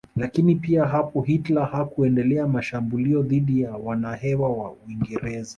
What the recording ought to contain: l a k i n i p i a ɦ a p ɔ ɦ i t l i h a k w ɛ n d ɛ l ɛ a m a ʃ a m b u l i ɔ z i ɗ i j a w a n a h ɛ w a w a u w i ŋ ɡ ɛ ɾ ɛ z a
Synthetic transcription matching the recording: l a k i n i p i a ɦ a p ɔ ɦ i t l a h a k u ɛ n d ɛ l ɛ a m a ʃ a m b u l i ɔ ð i ɗ i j a w a n a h ɛ w a w a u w i ŋ ɡ ɛ ɾ ɛ z a